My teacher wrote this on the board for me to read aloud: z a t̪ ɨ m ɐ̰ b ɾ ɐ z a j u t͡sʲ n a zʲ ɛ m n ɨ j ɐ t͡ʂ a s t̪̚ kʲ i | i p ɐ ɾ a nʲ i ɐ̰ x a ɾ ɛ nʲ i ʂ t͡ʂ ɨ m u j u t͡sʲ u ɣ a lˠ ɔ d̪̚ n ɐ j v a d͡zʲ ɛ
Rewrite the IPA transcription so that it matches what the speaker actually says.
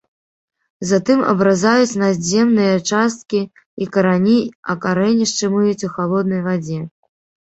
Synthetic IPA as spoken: z a t̪ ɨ m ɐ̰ b ɾ a z a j u t͡sʲ n a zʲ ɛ m n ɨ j ɐ t͡ʂ a s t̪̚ kʲ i | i k ɐ ɾ a nʲ i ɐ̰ k a ɾ ɛ nʲ i ʂ t͡ʂ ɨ m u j u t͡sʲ u x a lˠ ɔ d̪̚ n ɐ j v a d͡zʲ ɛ